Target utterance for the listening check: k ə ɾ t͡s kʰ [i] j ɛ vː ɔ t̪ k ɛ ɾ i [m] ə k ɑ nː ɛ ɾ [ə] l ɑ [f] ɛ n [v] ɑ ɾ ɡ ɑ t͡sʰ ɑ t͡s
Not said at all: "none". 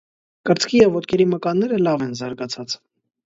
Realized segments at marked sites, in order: i, m, ə, v, z

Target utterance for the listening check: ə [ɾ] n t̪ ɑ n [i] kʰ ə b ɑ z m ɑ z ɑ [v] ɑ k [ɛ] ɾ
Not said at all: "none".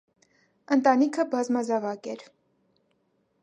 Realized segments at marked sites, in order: none, i, v, ɛ

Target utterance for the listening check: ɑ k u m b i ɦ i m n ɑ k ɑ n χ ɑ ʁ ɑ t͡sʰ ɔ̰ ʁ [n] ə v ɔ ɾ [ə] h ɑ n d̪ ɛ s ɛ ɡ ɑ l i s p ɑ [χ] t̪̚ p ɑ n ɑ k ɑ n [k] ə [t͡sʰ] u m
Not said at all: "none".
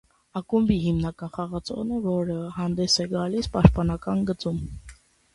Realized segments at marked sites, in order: n, ə, ʃ, ɡ, t͡s

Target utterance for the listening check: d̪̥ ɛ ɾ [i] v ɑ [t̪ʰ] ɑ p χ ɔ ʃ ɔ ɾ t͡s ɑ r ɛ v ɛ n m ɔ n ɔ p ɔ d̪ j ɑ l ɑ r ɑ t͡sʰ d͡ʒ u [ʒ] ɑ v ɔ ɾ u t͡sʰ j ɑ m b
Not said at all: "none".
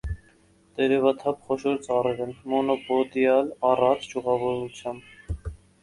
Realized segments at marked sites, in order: ɛ, t̪ʰ, ʁ

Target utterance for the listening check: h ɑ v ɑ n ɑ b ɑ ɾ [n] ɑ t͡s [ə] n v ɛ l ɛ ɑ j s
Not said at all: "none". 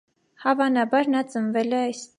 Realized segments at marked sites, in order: n, ə

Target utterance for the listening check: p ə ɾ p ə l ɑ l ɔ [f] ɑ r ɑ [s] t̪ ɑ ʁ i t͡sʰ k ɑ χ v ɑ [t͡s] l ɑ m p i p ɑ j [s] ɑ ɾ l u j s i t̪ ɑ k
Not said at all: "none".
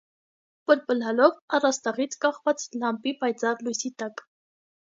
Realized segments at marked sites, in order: v, s, t͡s, t͡s

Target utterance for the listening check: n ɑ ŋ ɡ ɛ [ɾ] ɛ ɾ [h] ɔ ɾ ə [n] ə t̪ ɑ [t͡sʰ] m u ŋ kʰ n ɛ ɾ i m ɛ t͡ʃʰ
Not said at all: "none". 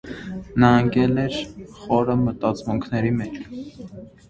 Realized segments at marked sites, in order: l, χ, m, t͡s

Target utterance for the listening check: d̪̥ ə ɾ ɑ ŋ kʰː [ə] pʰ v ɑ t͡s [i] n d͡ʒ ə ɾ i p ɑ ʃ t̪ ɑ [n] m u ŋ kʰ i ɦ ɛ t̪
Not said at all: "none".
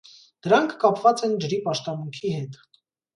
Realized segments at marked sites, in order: ɑ, ɛ, none

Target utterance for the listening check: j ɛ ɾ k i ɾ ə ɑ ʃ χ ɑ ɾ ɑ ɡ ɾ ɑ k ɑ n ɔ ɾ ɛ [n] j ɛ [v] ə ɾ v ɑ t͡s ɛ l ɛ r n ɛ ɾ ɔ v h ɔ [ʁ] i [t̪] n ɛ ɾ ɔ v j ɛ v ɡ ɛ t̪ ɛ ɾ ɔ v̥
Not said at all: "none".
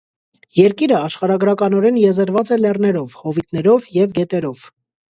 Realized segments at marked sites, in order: n, z, v, t̪

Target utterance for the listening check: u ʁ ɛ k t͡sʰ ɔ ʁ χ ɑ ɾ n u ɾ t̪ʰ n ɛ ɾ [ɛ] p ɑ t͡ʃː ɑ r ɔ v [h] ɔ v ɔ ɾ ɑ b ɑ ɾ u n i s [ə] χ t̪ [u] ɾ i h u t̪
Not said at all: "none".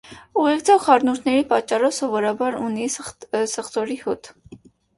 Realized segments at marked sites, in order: i, s, ə, ɔ

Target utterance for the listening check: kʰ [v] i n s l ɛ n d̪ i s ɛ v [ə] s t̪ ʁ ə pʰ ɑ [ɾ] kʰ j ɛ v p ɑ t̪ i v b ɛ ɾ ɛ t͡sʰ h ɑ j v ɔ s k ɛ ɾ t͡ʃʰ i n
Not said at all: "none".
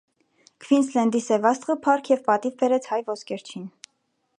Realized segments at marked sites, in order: v, ɑ, ɾ

